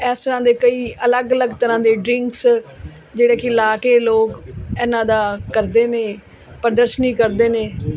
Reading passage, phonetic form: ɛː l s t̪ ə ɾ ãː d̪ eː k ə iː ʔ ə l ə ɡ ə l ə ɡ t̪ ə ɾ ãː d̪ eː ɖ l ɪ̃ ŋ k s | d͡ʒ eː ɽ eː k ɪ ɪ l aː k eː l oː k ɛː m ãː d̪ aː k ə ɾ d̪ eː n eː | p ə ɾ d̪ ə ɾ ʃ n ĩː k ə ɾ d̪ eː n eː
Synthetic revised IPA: ɛː s t̪ ə ɾ ãː d̪ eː k ə iː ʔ ə l ə ɡ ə l ə ɡ t̪ ə ɾ ãː d̪ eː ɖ ɾ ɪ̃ ŋ k s | d͡ʒ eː ɽ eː k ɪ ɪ l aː k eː l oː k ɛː n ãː d̪ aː k ə ɾ d̪ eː n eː | p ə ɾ d̪ ə ɾ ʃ n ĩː k ə ɾ d̪ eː n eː